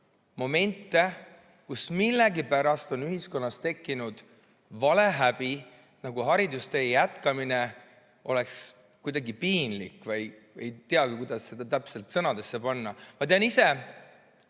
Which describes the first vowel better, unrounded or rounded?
rounded